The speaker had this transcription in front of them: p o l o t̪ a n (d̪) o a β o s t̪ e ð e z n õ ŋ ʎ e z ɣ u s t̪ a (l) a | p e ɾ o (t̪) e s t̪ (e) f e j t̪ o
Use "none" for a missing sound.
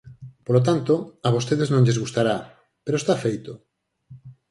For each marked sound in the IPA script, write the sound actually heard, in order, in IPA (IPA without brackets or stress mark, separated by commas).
t̪, ɾ, none, a